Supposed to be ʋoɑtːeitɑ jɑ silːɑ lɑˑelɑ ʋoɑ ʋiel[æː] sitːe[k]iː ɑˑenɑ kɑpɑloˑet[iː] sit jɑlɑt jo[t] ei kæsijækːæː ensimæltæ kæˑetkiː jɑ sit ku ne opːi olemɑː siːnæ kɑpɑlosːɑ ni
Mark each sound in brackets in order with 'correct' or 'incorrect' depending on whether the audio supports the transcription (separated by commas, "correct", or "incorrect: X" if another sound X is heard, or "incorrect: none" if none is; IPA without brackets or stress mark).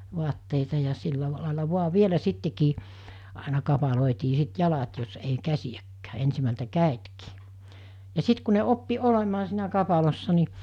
incorrect: æ, correct, correct, incorrect: s